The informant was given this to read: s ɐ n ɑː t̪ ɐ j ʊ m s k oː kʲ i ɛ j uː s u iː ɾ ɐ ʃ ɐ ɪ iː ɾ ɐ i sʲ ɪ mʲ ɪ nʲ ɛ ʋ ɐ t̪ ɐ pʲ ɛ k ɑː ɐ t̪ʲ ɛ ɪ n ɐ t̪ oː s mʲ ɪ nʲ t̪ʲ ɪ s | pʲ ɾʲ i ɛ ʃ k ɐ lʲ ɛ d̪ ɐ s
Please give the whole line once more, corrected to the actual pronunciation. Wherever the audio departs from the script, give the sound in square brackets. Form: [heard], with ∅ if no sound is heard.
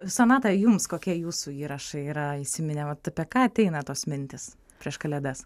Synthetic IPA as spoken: s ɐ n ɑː t̪ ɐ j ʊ m s k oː kʲ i ɛ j uː s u iː ɾ ɐ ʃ ɐ ɪ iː ɾ ɐ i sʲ ɪ mʲ ɪ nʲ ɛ ʋ ɐ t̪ ɐ pʲ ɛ k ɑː ɐ t̪ʲ ɛ ɪ n ɐ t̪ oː s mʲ ɪ nʲ t̪ʲ ɪ s | pʲ ɾʲ i ɛ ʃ k ɐ lʲ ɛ d̪ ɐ s